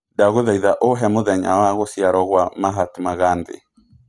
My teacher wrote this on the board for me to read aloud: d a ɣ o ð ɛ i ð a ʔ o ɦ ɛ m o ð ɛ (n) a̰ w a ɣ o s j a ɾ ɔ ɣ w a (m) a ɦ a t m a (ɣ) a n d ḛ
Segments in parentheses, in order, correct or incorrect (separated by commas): incorrect, correct, correct